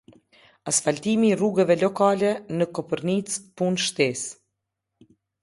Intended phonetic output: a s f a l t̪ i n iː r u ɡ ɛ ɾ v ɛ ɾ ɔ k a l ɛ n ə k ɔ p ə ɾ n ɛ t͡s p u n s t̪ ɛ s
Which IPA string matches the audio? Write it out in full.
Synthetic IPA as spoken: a s f a l t̪ i m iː r u ɡ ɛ v ɛ l ɔ k a l ɛ n ə k ɔ p ə ɾ n i t͡s p u n ʃ t̪ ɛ s